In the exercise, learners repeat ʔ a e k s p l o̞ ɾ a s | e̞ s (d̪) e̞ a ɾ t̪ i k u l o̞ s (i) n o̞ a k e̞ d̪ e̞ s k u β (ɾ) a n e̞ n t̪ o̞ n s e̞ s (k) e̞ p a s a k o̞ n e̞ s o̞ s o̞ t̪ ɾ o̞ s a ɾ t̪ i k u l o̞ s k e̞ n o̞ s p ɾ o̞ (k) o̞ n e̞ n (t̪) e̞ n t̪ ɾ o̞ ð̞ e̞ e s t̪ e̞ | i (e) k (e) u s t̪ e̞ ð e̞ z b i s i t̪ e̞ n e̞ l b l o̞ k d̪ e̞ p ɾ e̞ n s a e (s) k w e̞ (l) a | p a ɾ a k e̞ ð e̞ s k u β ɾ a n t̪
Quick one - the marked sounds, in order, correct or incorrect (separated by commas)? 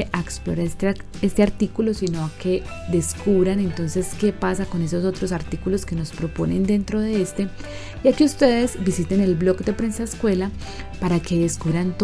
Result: incorrect, correct, correct, correct, incorrect, incorrect, incorrect, incorrect, correct, correct